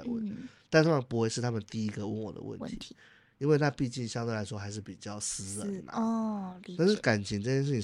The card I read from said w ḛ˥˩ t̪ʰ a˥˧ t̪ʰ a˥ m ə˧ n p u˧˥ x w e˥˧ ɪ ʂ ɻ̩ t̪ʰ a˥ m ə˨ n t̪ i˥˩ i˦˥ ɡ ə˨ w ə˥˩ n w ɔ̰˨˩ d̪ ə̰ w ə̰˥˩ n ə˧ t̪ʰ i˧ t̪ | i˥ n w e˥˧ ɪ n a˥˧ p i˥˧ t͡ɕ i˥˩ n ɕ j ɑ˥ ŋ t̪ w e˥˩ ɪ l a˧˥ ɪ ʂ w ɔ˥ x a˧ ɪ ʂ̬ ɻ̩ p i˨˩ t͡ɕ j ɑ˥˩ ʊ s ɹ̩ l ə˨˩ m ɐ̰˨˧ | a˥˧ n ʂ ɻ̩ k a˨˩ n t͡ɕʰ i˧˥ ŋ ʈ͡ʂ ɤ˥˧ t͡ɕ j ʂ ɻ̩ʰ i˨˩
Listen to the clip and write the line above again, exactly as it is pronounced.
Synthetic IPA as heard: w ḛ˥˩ t̪ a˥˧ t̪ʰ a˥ m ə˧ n p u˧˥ x w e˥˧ ɪ ʂ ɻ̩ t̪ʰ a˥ m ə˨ n t̪ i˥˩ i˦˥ ɡ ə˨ w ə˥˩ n w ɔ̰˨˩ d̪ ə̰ w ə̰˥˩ n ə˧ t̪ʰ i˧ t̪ | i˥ n w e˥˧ ɪ n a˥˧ p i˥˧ t͡ɕ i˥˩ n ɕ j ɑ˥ ŋ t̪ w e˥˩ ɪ l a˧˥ ɪ ʂ w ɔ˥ x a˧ ɪ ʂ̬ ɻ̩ p i˨˩ t͡ɕ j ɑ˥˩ ʊ s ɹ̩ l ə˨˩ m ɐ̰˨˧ | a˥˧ n ʂ ɻ̩ k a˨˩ n t͡ɕʰ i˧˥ ŋ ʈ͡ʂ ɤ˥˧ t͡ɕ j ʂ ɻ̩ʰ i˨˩